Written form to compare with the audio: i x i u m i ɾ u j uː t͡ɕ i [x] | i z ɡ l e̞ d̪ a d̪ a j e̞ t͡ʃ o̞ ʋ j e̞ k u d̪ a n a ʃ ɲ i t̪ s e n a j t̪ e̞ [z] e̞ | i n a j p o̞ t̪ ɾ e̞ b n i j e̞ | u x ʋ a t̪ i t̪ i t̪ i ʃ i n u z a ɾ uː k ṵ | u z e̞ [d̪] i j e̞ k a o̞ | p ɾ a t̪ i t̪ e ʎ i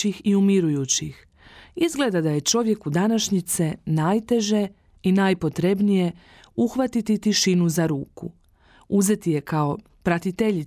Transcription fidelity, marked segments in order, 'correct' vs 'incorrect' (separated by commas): correct, incorrect, incorrect